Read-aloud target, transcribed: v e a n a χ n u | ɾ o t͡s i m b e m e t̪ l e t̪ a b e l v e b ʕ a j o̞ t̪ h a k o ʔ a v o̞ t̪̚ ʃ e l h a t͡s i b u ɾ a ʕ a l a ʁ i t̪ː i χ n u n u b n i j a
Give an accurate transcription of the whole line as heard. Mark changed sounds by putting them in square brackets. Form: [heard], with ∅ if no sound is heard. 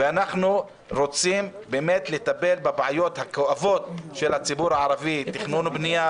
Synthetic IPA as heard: v e a n a χ n u | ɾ o t͡s i m b e m e t̪ l e t̪ a b e l [b] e b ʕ a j o̞ t̪ h a k o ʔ a v o̞ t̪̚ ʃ e l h a t͡s i b u ɾ a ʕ a [ɾ] a [v] i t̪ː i χ n u n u b n i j a

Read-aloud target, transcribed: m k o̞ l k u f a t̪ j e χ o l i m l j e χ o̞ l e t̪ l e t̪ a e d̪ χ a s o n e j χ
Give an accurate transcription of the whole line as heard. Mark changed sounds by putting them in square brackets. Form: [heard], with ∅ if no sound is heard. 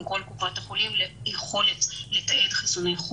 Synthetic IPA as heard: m k o̞ l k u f a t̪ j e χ o l i m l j e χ o̞ l e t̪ l e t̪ a e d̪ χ [i] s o n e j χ

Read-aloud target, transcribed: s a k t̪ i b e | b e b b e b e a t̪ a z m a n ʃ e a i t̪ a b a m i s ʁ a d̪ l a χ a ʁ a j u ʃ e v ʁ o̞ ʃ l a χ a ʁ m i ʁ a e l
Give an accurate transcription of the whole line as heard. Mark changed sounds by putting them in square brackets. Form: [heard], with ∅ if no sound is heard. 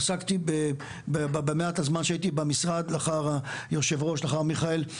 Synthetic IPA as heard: s a k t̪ i b e | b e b b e [m] e a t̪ a z m a n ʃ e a i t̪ [i] b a m i s ʁ a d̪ l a χ a ʁ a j [o] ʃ e v ʁ o̞ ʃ l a χ a ʁ m i [χ] a e l

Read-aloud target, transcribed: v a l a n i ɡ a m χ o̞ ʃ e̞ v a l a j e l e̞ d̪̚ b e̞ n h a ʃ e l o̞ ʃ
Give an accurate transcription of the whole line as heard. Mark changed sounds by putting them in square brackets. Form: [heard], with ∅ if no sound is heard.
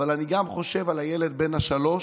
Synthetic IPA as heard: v a l a n i ɡ a m χ o̞ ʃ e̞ v a l a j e l e̞ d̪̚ b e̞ n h a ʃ [a] l o̞ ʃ

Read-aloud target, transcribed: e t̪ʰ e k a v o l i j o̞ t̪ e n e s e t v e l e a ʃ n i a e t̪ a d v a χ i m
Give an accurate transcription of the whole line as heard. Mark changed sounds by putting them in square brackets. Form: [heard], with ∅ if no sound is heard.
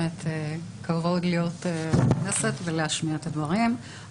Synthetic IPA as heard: e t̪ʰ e k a v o l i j o̞ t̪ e n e s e t v e l e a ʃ [m] i a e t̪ a d v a [ʁ] i m

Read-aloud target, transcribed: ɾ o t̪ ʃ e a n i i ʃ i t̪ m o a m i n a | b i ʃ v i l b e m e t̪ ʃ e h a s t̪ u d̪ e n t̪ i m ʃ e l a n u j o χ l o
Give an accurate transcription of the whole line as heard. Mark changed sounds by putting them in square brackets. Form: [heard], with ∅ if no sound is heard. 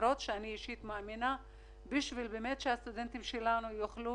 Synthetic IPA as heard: ɾ o t̪ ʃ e a n i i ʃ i t̪ m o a m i n a | b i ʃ v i l b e m e t̪ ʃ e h a s t̪ u d̪ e n t̪ i m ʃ e l a n u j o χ l [u]

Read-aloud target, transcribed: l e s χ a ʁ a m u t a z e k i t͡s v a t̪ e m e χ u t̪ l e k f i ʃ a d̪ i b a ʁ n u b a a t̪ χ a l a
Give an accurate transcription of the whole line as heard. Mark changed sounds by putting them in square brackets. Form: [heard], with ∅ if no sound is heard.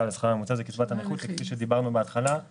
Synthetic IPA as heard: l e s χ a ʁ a m u [t͡s] a z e k i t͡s v a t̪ [a] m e χ u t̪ l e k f i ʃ [e] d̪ i b a ʁ n u b [e] a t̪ χ a l a

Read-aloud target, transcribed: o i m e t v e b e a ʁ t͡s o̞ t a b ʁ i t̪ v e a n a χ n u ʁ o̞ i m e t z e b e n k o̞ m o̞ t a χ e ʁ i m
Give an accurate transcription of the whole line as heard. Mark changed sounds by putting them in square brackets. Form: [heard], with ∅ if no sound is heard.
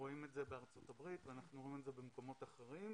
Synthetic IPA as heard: o i m e t [z] e b e a ʁ t͡s o̞ t a b ʁ i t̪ v e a n a χ n u ʁ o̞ i m e t z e b e [m] k o̞ m o̞ t a χ e ʁ i m

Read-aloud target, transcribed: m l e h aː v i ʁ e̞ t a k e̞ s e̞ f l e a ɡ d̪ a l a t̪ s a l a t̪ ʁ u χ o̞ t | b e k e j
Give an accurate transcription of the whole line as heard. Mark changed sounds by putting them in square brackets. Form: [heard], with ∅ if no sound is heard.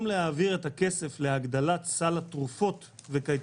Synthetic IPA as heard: m l e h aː v i ʁ e̞ t a k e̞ s e̞ f l e a ɡ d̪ a l a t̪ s a l a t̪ ʁ u [f] o̞ t | [v] e k [a] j

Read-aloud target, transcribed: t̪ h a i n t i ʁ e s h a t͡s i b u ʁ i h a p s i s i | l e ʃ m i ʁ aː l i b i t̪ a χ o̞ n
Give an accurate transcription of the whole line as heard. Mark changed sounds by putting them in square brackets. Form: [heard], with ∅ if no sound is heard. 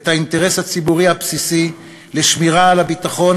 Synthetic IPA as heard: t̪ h a i n t [e] ʁ e s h a t͡s i b u ʁ i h a p s i s i | l e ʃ m i ʁ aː l [a] b i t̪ a χ o̞ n

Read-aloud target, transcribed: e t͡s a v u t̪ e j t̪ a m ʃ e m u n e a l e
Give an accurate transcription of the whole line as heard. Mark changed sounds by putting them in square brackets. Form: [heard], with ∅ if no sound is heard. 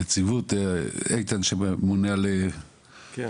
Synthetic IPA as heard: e t͡s [i] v u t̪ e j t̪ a [n] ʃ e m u n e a l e

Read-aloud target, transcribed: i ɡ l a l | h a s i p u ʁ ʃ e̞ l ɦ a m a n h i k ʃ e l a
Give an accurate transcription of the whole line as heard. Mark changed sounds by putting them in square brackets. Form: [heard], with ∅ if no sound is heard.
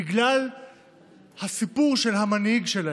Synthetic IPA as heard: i ɡ l a l | h a s i p u ʁ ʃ e̞ l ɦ a m a n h i [ɡ] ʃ e l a

